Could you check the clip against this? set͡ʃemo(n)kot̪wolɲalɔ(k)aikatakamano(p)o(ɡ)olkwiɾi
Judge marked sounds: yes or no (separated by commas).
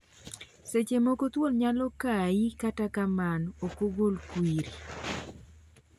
no, yes, no, yes